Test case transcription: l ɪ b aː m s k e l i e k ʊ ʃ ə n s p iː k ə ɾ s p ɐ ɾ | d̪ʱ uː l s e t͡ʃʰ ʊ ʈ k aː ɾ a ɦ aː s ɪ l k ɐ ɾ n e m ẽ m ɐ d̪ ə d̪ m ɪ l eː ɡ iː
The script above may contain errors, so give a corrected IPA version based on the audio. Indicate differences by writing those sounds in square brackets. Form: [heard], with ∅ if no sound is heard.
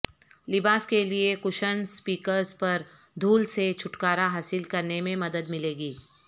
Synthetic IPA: l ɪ b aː [∅] s k e l i e k ʊ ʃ ə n s p iː k ə ɾ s p ɐ ɾ | d̪ʱ uː l s e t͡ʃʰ ʊ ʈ k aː ɾ a ɦ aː s ɪ l k ɐ ɾ n e m ẽ m ɐ d̪ ə d̪ m ɪ l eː ɡ iː